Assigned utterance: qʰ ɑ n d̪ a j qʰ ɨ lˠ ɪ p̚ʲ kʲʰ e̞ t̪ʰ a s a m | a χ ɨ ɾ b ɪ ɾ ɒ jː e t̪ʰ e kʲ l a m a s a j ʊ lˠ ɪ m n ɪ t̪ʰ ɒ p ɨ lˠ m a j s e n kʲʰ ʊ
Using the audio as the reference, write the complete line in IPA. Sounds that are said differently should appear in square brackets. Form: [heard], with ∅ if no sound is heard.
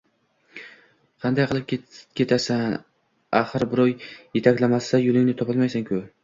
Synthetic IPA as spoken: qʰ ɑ n d̪ a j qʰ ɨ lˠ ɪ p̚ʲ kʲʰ e̞ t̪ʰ a s a [n] | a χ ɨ ɾ b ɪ ɾ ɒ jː e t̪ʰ [a] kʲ l a m a s a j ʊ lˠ ɪ [ŋ] n ɪ t̪ʰ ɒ p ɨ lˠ m a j s [a] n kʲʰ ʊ